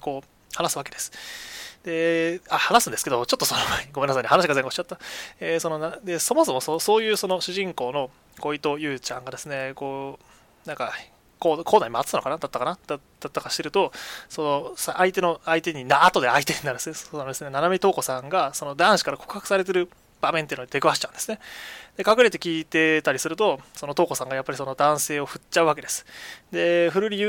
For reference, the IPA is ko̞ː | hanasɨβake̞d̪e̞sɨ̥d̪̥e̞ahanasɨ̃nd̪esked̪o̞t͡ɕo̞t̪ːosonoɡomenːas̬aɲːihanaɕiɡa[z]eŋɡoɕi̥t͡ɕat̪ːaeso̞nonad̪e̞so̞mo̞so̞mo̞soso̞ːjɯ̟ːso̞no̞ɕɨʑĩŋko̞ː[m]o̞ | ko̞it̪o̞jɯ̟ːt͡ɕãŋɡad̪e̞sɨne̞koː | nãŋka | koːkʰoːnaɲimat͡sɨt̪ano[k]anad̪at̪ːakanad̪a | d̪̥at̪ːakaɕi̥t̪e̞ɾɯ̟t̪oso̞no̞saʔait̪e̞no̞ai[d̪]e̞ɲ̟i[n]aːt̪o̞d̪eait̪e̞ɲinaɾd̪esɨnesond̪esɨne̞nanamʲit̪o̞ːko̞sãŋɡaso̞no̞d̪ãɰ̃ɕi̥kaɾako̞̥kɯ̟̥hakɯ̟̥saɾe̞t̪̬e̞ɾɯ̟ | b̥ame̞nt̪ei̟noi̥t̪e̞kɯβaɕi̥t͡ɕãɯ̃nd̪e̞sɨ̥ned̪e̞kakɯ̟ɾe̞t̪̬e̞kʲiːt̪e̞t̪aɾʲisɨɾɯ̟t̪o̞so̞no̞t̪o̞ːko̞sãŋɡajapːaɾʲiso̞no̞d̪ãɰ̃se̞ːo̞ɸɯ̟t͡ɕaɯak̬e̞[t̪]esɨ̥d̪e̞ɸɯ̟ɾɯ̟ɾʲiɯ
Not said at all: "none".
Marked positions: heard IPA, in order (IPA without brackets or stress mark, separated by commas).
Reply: z, n, k, t̪, n, d̪